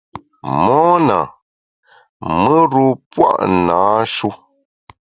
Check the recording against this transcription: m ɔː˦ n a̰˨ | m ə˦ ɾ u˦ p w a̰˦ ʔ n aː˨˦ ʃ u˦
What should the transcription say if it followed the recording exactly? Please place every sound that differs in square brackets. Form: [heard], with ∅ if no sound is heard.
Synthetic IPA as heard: m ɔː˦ n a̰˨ | m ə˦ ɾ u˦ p w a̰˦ ʔ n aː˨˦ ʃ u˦